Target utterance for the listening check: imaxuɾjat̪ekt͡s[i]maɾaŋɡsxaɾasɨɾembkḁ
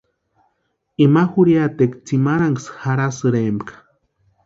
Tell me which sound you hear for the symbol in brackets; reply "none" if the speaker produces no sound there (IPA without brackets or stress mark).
i